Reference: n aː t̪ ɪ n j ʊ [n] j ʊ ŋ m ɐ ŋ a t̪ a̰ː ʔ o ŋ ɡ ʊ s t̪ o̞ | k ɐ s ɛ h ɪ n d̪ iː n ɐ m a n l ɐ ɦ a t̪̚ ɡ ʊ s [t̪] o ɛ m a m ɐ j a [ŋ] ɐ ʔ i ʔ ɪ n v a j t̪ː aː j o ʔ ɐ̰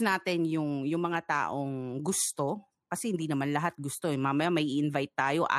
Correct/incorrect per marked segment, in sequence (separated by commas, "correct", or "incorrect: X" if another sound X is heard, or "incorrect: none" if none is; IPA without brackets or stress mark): incorrect: ŋ, correct, incorrect: m